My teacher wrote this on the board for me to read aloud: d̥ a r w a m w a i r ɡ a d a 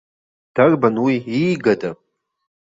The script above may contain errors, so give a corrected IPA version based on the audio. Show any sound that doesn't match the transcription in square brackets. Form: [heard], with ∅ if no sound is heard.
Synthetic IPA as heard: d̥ a r [b] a [n] w [i] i [∅] ɡ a d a